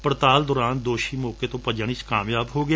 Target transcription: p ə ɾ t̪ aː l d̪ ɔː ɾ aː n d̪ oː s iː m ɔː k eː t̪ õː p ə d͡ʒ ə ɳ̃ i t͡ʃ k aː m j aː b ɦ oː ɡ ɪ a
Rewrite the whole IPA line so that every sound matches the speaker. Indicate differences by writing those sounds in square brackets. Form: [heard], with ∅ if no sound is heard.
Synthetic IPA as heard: p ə ɾ t̪ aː l d̪ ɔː ɾ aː n d̪ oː [ʃ] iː m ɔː k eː t̪ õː p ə d͡ʒ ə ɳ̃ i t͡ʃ k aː m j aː b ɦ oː ɡ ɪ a